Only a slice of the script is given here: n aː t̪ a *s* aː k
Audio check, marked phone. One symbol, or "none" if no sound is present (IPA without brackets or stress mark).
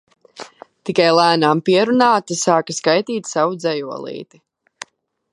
s